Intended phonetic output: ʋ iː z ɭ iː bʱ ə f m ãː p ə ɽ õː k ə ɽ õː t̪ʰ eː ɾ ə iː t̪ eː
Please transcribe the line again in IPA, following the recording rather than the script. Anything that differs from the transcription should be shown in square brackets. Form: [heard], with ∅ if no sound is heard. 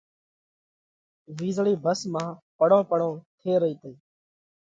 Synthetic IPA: ʋ iː z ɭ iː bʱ ə [s] m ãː p ə ɽ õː [p] ə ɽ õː t̪ʰ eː ɾ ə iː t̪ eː